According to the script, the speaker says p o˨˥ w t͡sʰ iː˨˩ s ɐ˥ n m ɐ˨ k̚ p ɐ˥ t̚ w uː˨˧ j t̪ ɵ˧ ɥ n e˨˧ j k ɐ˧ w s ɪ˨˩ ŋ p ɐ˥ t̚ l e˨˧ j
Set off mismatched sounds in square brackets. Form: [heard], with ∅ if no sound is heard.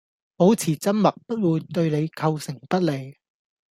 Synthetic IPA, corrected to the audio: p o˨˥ w t͡sʰ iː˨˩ [t͡s] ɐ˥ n m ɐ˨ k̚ p ɐ˥ t̚ w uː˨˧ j t̪ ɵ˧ ɥ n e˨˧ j [kʰ] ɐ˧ w s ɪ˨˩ ŋ p ɐ˥ t̚ l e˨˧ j